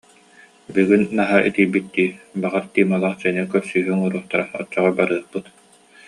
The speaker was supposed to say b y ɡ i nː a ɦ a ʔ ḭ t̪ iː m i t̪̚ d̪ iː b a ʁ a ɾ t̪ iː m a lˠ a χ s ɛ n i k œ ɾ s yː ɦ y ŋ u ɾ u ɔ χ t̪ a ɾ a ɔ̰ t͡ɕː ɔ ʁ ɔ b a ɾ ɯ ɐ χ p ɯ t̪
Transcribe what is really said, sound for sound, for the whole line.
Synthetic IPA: b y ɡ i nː a ɦ a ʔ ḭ t̪ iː b i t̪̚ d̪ iː b a ʁ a ɾ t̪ iː m a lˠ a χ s ɛ n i k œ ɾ s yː ɦ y ŋ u ɾ u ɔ χ t̪ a ɾ a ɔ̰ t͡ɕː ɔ ʁ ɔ b a ɾ ɯ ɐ χ p ɯ t̪